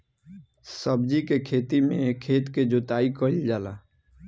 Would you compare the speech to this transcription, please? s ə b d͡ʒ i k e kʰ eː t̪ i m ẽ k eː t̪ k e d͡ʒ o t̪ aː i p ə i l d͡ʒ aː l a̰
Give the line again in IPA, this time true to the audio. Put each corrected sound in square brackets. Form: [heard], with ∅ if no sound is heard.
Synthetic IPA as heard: s ə b d͡ʒ i k e kʰ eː t̪ i m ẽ [kʰ] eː t̪ k e d͡ʒ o t̪ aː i [k] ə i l d͡ʒ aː l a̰